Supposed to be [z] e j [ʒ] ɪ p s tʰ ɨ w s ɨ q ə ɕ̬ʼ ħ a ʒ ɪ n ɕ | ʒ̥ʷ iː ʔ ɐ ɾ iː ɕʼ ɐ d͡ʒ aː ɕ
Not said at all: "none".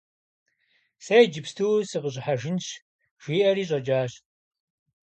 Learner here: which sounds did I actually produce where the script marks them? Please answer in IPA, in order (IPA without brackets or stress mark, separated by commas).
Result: s, d͡ʒ